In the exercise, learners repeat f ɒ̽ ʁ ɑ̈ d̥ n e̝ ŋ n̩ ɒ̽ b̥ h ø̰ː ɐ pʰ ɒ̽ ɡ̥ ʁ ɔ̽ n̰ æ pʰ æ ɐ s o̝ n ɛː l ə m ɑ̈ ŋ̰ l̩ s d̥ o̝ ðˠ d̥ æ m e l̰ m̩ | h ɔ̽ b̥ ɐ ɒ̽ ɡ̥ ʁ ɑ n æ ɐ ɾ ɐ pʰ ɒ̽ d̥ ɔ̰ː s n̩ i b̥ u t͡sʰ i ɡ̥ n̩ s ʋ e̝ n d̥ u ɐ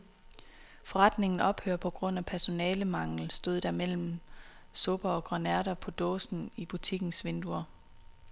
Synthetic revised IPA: f ɒ̽ ʁ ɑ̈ d̥ n e̝ ŋ n̩ ɒ̽ b̥ h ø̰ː ɐ pʰ ɒ̽ ɡ̥ ʁ ɔ̽ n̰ æ pʰ æ ɐ s o̝ n ɛː l ə m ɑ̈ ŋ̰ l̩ s d̥ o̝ ðˠ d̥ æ m e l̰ m̩ | s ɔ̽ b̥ ɐ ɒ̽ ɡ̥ ʁ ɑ n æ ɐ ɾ ɐ pʰ ɒ̽ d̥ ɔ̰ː s n̩ i b̥ u t͡sʰ i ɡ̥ n̩ s ʋ e̝ n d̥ u ɐ